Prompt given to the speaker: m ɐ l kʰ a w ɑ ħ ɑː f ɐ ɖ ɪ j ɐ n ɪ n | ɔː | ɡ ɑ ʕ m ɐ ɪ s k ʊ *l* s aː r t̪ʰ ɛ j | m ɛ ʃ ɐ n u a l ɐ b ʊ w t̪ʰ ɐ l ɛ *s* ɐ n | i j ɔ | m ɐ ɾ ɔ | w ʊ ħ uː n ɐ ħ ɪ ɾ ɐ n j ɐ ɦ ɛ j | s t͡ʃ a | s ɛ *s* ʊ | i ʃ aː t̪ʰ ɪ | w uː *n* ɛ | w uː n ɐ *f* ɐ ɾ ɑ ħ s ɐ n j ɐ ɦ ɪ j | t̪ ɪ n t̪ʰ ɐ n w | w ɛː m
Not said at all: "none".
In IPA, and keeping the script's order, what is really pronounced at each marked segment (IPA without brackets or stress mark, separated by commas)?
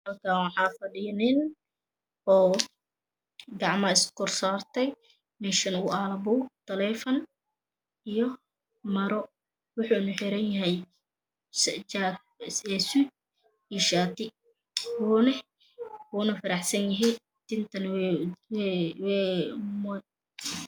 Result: r, f, s, n, f